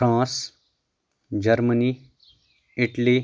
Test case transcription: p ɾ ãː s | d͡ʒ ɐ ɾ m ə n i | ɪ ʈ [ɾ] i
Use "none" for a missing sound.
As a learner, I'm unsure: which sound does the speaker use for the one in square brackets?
l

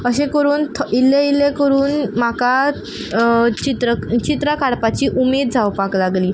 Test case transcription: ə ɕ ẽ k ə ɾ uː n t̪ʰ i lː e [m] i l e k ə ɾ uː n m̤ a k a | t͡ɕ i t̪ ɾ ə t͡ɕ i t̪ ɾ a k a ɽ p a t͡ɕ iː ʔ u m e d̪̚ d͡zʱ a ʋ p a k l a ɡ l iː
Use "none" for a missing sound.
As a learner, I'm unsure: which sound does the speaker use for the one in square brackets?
none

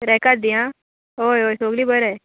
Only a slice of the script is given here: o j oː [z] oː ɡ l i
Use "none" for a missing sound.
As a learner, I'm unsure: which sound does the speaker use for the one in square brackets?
s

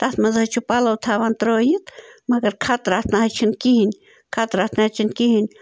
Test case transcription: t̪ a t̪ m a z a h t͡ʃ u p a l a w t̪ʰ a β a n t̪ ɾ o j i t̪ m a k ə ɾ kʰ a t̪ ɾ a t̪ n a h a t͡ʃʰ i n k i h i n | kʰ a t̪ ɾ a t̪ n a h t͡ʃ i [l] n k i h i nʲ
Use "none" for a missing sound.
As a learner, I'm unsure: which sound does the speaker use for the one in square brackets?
none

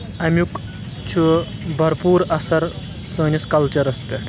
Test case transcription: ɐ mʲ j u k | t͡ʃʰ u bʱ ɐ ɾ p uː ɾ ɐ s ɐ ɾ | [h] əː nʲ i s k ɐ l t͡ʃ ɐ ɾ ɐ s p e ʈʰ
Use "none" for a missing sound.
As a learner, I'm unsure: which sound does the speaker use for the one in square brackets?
s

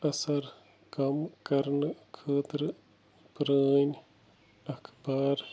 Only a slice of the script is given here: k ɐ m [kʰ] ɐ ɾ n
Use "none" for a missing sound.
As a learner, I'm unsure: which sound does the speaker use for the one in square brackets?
k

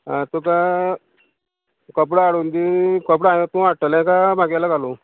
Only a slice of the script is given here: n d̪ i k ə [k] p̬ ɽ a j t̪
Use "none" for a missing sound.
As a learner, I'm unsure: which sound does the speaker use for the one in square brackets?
none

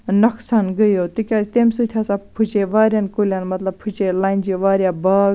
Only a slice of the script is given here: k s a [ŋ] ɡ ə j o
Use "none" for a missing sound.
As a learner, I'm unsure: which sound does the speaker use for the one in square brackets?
n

